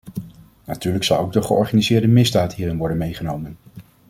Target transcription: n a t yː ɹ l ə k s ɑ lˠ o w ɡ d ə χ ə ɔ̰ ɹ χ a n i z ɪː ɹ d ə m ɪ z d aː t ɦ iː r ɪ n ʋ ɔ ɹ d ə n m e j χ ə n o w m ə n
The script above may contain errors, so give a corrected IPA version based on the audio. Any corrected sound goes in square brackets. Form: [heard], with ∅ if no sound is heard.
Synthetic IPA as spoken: n a t yː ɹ l ə k s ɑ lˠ o w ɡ d ə χ ə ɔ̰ ɹ χ a n i z ɪː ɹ d ə m ɪ z d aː t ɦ iː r ɪ n ʋ ɔ ɹ d ə n m e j χ ə n o w m ə n

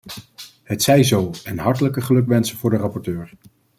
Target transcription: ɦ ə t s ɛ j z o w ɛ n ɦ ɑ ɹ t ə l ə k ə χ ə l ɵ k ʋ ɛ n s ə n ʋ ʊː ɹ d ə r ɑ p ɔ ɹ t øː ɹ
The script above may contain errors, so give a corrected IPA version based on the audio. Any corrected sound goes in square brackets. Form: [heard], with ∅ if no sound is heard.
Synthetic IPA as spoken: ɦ ə t s ɛ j z o w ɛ n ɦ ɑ ɹ t ə l ə k ə χ ə l ɵ k ʋ ɛ n s ə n [v] ʊː ɹ d ə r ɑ p ɔ ɹ t øː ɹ

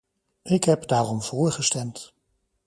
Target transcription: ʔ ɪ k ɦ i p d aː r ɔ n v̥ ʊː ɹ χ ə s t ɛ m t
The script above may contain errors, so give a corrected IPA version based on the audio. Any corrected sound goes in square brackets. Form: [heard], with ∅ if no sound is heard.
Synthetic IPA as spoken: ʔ ɪ k ɦ [ɛ] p d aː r ɔ [m] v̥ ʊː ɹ χ ə s t ɛ m t

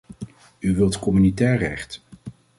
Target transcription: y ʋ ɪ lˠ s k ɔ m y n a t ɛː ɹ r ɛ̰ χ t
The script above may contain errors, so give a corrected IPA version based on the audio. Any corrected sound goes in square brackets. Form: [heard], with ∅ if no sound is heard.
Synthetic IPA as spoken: y ʋ ɪ lˠ [t] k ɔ m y n [i] t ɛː ɹ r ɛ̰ χ t

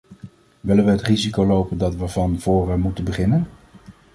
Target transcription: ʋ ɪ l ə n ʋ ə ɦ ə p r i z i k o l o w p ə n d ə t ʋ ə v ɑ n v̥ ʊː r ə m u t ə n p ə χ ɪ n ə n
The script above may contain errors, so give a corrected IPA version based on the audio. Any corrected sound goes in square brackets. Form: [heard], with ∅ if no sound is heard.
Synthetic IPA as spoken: ʋ ɪ l ə n ʋ ə ɦ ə [t] r i z i k o l o w p ə n d [ɑ] t ʋ ə v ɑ n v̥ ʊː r ə m u t ə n [b] ə χ ɪ n ə n

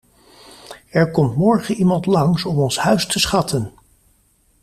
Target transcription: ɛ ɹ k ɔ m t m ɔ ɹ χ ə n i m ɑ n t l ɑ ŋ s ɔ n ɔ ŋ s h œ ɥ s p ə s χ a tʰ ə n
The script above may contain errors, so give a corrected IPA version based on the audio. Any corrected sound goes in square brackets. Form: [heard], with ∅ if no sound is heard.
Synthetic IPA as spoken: ɛ ɹ k ɔ m t m ɔ ɹ χ ə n i m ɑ n t l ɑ ŋ s ɔ [m] ɔ [n] s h œ ɥ s [t] ə s χ [ɑ] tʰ ə n

